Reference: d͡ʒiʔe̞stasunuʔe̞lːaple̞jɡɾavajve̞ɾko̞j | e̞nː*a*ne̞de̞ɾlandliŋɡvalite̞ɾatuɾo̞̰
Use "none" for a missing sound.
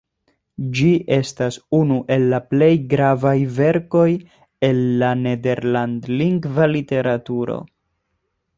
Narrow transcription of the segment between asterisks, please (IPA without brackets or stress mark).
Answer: a